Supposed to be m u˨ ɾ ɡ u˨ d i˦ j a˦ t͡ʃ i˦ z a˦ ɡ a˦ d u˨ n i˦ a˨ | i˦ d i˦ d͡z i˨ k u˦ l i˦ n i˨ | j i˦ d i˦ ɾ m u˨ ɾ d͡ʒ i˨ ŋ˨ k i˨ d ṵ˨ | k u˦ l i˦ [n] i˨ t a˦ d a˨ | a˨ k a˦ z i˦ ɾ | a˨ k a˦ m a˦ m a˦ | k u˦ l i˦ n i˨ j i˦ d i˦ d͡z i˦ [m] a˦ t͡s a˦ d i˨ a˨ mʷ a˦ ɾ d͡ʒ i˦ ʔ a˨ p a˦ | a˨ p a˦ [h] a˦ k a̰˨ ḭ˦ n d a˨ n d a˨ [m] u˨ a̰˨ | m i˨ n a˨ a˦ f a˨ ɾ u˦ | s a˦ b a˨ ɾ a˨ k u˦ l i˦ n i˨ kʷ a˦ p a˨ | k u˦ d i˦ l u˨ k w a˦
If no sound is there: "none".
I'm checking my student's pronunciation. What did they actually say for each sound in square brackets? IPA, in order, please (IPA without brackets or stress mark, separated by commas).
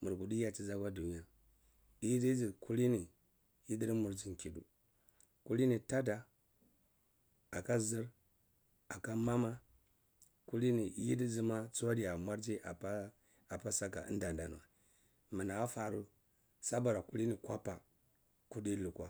n, m, s, n